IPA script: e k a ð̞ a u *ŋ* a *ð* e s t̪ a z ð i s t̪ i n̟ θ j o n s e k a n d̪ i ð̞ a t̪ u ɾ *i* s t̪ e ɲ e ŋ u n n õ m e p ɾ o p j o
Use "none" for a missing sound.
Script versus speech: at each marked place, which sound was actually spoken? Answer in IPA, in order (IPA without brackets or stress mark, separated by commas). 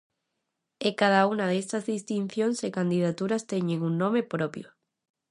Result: n, ð, a